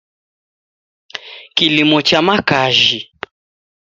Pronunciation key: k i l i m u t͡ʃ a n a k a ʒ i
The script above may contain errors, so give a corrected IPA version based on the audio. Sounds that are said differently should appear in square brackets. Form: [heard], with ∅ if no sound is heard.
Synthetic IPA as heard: k i l i m [ɔ] t͡ʃ a [m] a k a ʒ i